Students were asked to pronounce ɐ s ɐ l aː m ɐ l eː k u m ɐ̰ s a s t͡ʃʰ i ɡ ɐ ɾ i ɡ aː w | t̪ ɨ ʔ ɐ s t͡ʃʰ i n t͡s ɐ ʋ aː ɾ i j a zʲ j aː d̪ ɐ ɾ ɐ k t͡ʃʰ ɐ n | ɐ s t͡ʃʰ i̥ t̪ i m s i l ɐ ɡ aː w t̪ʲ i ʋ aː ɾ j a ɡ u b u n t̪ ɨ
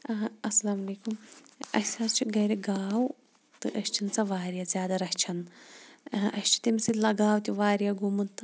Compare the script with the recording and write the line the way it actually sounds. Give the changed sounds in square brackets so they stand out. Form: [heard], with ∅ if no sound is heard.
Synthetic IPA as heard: ɐ s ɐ l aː m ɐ l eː k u m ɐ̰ s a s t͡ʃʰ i ɡ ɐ ɾ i ɡ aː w | t̪ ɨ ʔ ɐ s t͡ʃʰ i n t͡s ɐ ʋ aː ɾ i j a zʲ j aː d̪ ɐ ɾ ɐ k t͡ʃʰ ɐ n | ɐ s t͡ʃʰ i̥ t̪ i m s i l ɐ ɡ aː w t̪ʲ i ʋ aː ɾ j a ɡ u [m] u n t̪ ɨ